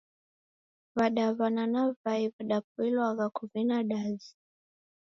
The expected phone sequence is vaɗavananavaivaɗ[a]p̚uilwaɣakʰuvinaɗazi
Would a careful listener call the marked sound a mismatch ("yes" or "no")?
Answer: no